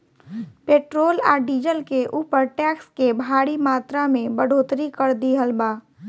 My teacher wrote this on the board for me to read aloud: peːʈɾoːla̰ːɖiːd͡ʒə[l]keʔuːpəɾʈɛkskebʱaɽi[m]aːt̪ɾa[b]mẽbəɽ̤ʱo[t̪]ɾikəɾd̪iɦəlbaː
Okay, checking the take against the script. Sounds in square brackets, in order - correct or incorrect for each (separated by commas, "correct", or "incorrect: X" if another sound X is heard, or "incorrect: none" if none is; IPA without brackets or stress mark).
correct, correct, incorrect: none, correct